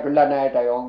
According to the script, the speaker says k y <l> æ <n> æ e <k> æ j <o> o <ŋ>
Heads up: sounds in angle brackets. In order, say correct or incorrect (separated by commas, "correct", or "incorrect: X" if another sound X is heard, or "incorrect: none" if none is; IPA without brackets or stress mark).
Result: incorrect: lː, correct, incorrect: t, correct, correct